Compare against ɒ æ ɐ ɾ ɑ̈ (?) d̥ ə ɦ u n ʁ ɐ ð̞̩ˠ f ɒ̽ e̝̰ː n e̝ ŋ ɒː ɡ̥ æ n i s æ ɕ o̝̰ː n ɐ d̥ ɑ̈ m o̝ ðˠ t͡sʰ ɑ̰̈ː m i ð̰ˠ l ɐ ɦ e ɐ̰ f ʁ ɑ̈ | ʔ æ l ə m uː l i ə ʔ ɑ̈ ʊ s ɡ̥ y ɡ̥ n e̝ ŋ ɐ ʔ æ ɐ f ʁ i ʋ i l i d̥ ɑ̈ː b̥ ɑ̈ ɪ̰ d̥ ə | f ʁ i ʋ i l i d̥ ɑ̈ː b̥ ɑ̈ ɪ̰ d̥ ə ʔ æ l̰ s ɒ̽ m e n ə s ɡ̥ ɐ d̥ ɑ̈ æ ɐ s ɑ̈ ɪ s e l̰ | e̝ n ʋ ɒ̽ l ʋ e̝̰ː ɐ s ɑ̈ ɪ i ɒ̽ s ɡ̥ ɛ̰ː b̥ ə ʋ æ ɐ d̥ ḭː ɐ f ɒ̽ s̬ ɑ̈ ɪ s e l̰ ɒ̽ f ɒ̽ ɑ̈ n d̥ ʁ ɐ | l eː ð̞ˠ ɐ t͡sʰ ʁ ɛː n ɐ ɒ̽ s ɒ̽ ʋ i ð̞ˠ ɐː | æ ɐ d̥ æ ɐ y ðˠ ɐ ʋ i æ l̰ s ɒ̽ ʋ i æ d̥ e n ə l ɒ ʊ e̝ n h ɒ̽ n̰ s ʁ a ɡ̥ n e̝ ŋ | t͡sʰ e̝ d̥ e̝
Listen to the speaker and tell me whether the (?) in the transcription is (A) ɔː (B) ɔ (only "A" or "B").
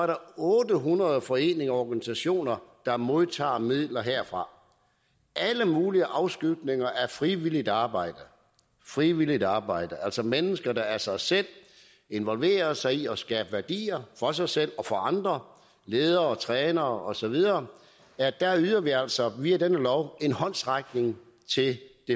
A